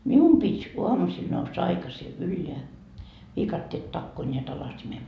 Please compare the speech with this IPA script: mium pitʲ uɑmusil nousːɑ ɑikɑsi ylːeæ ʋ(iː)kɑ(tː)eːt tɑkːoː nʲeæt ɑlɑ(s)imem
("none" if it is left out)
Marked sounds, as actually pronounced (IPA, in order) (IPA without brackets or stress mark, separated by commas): iː, tː, s